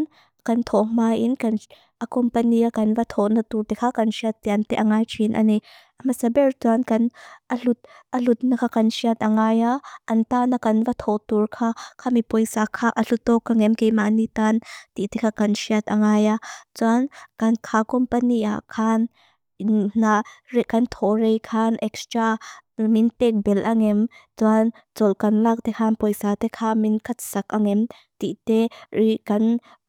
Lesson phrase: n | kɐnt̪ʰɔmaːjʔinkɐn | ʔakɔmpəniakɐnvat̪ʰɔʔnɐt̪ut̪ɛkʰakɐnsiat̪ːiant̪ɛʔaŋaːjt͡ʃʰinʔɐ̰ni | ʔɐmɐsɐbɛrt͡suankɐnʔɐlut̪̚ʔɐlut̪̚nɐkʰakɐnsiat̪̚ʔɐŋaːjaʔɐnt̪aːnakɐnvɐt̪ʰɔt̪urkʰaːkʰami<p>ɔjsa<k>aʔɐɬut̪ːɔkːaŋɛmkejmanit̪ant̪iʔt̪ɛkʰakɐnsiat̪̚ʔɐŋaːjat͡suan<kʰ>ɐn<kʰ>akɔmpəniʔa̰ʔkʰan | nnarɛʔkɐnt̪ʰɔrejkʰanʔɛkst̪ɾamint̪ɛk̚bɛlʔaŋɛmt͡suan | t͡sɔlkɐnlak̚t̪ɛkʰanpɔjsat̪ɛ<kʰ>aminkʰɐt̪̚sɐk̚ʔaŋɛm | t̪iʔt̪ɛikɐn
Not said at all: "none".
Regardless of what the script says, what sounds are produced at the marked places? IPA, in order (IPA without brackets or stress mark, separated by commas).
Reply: p, kʰ, k, kʰ, kʰ